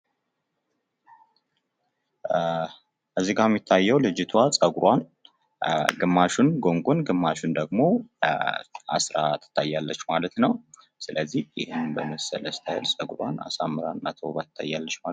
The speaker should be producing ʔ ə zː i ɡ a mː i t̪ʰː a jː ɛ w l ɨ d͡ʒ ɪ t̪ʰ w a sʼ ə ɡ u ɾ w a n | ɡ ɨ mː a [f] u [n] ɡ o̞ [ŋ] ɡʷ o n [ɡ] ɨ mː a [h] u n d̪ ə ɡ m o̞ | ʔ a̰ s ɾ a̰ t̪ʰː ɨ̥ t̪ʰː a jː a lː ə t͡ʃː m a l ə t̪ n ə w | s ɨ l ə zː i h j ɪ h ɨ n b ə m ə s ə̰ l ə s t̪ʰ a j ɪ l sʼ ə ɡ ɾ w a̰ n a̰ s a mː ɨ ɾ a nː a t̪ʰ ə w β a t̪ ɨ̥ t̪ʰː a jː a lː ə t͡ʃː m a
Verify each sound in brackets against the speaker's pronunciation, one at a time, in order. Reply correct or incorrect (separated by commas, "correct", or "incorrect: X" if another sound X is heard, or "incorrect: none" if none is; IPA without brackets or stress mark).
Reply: incorrect: ʃ, correct, correct, correct, incorrect: ʃ